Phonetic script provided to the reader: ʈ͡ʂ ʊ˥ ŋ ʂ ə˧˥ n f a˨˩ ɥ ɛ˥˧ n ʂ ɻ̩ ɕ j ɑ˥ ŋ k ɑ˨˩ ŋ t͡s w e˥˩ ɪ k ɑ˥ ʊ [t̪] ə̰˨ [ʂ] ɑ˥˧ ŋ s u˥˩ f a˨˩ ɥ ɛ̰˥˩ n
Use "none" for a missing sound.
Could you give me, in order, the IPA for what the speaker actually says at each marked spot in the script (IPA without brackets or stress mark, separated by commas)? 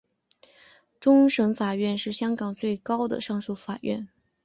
d̪, ʂ